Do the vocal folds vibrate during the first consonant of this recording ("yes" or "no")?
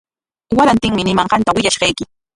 yes